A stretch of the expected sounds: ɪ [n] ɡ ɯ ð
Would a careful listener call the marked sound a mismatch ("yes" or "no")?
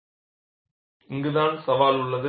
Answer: yes